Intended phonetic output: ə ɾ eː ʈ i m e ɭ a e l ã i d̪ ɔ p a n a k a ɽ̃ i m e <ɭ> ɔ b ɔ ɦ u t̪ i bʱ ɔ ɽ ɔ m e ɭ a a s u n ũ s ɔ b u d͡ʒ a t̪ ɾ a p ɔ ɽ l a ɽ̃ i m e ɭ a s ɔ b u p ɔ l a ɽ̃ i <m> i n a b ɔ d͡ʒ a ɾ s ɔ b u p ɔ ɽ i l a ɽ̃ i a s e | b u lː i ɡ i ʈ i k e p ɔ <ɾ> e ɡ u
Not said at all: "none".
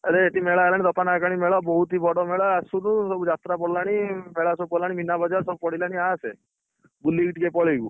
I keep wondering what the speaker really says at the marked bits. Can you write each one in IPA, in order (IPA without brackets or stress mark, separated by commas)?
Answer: ɭ, m, ɭ